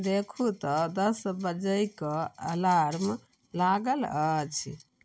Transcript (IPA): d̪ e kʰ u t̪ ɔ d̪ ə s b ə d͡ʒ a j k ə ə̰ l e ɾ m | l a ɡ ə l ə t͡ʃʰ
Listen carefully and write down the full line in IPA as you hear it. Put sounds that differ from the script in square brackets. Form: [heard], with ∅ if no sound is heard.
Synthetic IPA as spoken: d̪ e kʰ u t̪ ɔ d̪ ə s b ə d͡ʒ [ə] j k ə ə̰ l [a] ɾ m | l a ɡ ə l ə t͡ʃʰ

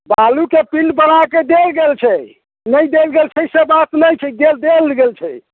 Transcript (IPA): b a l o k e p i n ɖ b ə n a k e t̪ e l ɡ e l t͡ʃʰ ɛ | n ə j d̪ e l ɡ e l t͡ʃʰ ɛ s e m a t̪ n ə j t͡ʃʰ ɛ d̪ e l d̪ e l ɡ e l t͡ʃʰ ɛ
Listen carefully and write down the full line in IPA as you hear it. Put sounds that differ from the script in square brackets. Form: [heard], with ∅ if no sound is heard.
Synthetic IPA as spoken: b a l [u] k e p i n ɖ b ə n a k e [d̪] e l ɡ e l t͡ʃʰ ɛ | n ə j d̪ e l ɡ e l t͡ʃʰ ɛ s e [b] a t̪ n ə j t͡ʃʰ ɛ d̪ e l d̪ e l ɡ e l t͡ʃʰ ɛ

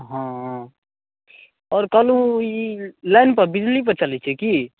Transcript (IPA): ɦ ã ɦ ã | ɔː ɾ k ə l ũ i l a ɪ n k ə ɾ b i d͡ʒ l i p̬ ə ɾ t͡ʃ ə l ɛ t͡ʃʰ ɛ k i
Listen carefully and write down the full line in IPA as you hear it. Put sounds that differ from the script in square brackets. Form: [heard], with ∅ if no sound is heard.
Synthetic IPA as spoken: ɦ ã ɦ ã | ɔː ɾ k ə l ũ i l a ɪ n [p] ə ɾ b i d͡ʒ l i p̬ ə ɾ t͡ʃ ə l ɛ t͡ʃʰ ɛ k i

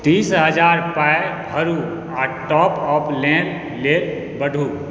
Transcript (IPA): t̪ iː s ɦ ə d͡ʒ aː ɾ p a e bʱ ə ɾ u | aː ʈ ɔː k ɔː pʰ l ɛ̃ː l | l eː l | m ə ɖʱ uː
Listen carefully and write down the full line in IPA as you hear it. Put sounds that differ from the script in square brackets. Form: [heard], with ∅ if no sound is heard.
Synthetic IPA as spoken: t̪ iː s ɦ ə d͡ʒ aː ɾ p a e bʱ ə ɾ u | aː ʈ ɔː [p] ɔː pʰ l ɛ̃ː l | l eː l | [b] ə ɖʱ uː

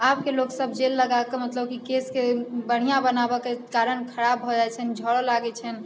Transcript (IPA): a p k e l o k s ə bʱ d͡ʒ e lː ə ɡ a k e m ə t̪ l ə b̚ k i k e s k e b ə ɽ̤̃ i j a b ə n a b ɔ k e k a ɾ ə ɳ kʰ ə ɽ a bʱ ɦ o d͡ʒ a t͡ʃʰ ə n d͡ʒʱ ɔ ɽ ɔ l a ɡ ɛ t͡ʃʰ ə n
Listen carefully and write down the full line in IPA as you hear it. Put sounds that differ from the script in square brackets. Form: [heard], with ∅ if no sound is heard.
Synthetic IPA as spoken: a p k e l o k s ə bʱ d͡ʒ e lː ə ɡ a k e m ə t̪ l ə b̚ k i k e s k e b ə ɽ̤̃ i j a b ə n a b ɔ k e k a ɾ ə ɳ kʰ ə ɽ a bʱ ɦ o d͡ʒ a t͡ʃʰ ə n d͡ʒʱ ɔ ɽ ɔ l a ɡ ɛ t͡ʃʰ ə n

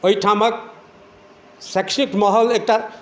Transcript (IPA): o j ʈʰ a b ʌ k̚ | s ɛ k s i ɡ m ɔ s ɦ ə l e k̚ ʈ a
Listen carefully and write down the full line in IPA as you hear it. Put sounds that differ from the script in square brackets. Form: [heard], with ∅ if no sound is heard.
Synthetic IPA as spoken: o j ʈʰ a [m] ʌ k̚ | s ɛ k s i [k] m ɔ [∅] ɦ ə l e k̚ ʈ a

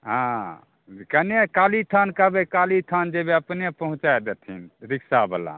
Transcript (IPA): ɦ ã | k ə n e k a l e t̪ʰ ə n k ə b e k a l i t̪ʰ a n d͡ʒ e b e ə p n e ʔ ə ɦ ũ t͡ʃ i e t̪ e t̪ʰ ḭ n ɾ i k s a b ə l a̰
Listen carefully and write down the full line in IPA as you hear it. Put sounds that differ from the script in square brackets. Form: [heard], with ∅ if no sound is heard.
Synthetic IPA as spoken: ɦ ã | k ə n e k a l [i] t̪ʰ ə n k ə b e k a l i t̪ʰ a n d͡ʒ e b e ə p n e [p] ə ɦ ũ t͡ʃ [a] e [d̪] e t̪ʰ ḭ n ɾ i k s a b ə l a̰

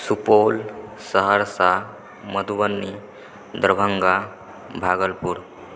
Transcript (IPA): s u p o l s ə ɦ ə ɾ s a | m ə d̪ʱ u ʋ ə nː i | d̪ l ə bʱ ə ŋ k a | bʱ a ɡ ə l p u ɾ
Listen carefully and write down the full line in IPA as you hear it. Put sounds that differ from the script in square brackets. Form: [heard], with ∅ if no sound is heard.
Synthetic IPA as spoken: s u p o l s ə ɦ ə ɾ s a | m ə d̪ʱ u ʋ ə nː i | d̪ [ɾ] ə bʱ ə ŋ [ɡ] a | bʱ a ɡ ə l p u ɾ

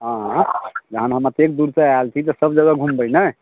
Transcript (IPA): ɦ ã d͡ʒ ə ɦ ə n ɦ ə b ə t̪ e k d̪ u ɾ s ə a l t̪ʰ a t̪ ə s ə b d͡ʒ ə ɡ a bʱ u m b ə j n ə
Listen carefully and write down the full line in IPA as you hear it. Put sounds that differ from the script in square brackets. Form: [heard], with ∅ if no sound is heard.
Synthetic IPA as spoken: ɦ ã d͡ʒ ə ɦ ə n ɦ ə [m] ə t̪ e k d̪ u ɾ s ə a l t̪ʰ [i] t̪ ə s ə b d͡ʒ ə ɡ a [ɡʱ] u m b ə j n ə

